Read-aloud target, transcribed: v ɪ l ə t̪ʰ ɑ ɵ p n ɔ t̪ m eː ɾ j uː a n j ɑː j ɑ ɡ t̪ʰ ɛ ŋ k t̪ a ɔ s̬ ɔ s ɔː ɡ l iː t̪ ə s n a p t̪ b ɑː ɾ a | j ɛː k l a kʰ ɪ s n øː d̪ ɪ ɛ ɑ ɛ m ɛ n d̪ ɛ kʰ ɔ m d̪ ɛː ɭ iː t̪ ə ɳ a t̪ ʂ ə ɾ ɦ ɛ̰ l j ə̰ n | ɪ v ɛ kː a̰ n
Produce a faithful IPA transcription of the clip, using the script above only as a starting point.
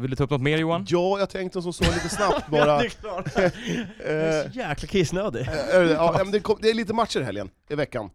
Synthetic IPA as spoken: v ɪ l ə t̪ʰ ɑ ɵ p n ɔ t̪ m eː ɾ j uː a n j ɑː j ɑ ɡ t̪ʰ ɛ ŋ k t̪ ə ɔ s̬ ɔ s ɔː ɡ l iː t̪ ə s n a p t̪ b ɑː ɾ a | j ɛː k l a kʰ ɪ s n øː d̪ ɪ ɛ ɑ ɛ m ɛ n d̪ ɛ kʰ ɔ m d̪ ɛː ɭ iː t̪ ə m a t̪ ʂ ə ɾ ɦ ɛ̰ l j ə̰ n | ɪ v ɛ kː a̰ n